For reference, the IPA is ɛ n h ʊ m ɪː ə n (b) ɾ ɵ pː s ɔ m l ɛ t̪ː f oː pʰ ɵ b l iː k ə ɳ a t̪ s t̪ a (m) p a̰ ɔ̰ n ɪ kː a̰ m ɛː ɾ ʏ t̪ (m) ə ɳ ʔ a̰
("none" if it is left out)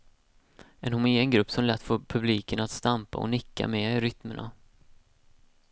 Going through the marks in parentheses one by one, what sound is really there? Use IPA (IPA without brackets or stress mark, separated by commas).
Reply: ɡ, m, m